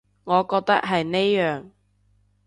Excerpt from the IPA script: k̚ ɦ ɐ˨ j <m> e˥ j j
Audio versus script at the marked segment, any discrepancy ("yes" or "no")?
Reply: yes